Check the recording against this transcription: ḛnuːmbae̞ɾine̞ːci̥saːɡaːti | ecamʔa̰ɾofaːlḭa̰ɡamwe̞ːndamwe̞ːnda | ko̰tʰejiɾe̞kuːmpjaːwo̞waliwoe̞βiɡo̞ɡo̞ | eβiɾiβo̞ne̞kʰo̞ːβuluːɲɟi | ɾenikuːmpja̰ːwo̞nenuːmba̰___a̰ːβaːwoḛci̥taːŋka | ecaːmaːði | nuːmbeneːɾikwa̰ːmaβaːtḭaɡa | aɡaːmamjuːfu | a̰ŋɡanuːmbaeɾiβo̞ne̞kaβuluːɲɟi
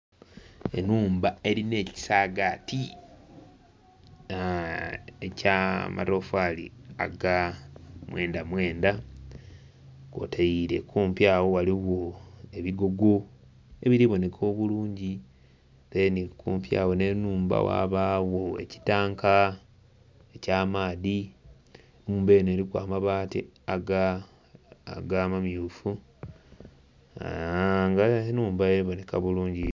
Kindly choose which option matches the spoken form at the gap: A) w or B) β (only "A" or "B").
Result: A